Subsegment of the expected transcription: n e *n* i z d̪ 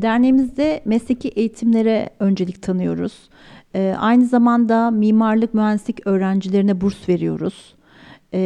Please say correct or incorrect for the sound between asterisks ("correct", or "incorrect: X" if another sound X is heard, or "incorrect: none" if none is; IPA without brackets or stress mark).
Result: incorrect: m